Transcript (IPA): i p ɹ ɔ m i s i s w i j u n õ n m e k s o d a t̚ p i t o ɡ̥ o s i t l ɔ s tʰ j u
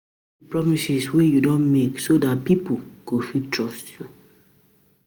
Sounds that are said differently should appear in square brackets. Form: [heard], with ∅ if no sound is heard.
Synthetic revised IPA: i p ɹ ɔ m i s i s w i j u [d] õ n m e k s o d a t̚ p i [p] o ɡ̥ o [f] i t [ɹ] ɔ s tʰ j u